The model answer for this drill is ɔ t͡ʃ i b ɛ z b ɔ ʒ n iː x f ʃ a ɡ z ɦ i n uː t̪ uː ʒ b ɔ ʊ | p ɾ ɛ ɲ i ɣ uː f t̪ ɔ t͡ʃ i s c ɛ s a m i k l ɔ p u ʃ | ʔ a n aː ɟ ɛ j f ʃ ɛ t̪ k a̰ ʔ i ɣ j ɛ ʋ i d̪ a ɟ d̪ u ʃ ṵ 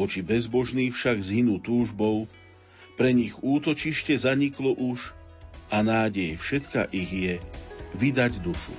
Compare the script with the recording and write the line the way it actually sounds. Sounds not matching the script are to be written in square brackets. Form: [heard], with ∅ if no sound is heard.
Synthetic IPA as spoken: ɔ t͡ʃ i b ɛ z b ɔ ʒ n iː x f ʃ a ɡ z ɦ i n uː t̪ uː ʒ b ɔ ʊ | p ɾ ɛ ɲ i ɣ uː [∅] t̪ ɔ t͡ʃ i [ʃ] c ɛ [z] a [ɲ] i k l ɔ [ʔ] u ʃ | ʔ a n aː ɟ ɛ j f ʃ ɛ t̪ k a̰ ʔ i ɣ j ɛ ʋ i d̪ a ɟ d̪ u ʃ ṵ